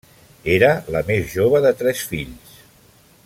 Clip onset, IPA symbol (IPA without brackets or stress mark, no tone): e